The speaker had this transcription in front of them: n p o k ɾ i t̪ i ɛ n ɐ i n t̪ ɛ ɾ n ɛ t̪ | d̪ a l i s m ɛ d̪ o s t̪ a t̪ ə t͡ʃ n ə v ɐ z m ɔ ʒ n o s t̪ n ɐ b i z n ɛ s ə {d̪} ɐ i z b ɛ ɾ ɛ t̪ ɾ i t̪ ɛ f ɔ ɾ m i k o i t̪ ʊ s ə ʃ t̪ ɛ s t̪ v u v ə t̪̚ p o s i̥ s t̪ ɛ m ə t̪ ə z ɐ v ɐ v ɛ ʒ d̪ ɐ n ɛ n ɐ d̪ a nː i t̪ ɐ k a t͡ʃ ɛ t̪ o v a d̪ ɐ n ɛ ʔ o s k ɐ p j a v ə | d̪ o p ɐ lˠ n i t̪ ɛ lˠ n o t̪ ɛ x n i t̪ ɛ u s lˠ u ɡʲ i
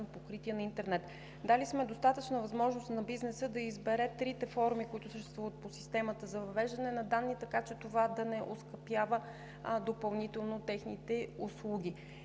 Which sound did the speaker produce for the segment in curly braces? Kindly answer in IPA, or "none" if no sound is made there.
d̪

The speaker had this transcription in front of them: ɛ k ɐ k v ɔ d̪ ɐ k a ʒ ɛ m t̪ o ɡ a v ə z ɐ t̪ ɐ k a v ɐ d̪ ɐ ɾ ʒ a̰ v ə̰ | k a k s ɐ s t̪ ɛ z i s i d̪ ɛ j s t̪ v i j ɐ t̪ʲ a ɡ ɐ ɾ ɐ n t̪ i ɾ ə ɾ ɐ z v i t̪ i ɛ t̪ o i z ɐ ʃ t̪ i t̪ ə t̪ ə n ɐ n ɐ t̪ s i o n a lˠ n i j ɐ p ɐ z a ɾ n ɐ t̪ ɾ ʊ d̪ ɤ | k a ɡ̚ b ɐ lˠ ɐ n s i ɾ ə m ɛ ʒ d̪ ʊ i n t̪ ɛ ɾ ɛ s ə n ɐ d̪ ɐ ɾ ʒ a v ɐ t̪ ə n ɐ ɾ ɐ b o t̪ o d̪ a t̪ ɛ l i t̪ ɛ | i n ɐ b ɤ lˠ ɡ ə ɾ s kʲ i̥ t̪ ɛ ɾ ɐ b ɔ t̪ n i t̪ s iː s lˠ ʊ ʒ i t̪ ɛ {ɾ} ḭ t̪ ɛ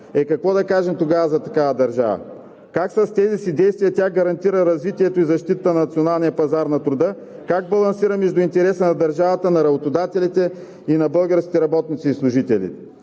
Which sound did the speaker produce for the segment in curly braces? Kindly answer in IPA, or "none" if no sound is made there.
l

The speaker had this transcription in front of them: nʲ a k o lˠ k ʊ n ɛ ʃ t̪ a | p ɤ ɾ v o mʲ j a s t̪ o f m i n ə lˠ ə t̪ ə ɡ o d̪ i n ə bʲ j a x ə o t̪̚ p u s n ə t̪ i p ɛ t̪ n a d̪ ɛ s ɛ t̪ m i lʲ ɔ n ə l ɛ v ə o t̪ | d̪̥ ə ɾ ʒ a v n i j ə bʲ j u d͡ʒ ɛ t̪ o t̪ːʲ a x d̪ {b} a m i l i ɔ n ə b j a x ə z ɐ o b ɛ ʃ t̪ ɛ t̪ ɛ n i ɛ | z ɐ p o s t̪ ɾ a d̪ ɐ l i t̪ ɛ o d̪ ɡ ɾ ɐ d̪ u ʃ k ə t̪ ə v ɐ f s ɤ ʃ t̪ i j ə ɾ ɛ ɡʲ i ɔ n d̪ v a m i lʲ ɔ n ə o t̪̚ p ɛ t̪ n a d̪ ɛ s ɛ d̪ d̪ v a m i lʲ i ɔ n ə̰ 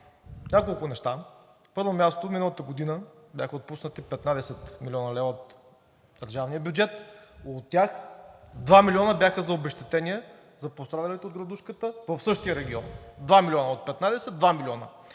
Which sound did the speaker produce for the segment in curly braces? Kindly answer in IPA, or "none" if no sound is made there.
v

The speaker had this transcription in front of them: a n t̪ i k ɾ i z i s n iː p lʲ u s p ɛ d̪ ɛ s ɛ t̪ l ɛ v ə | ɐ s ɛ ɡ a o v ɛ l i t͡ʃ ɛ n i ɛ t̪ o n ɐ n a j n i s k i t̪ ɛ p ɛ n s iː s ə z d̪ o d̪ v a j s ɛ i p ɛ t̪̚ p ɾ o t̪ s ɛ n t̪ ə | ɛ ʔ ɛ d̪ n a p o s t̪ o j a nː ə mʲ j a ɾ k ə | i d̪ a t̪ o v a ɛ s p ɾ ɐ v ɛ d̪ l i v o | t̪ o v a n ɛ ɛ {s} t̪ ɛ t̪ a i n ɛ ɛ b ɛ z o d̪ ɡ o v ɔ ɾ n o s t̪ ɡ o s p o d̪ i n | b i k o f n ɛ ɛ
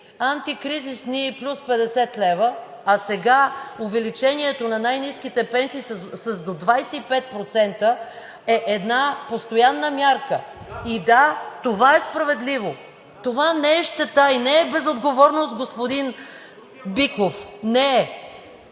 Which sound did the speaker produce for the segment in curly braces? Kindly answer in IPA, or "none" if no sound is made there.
ʃ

